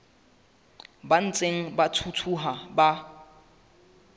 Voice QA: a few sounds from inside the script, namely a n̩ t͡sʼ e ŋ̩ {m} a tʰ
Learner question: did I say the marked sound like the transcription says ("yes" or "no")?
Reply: no